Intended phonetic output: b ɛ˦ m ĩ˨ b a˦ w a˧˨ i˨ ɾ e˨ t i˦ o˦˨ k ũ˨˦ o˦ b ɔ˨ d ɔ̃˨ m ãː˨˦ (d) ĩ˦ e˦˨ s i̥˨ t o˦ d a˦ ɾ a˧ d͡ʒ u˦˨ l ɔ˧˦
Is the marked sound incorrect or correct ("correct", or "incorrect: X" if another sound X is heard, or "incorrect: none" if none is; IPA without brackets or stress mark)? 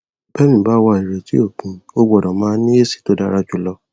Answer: incorrect: n